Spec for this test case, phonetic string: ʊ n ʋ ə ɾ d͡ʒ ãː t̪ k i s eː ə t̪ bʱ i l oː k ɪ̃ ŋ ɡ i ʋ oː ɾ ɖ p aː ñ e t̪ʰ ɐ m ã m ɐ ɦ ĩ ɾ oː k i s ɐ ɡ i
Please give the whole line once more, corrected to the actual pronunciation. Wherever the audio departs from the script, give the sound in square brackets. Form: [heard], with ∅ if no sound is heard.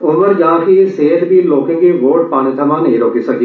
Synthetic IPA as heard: ʊ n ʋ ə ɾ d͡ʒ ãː [∅] k i s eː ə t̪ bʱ i l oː k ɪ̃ ŋ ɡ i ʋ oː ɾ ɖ p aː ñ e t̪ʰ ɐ m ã [n] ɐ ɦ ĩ ɾ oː k i s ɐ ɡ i

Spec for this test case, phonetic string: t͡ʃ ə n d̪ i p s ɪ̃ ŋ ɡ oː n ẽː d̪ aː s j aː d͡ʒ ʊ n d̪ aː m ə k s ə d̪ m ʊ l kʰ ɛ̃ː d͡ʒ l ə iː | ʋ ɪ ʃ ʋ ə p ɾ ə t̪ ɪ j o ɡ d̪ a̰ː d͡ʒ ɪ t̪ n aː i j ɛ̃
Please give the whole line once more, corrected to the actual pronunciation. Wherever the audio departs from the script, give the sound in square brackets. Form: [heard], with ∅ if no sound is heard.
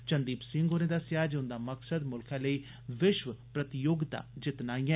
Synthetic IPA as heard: t͡ʃ ə n d̪ [iː] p s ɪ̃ ŋ ɡ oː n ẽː d̪ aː s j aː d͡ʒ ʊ n d̪ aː m ə k s ə d̪ m ʊ l kʰ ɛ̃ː [∅] l ə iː | ʋ ɪ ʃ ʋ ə p ɾ ə t̪ ɪ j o ɡ d̪ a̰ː d͡ʒ ɪ t̪ n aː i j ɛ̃

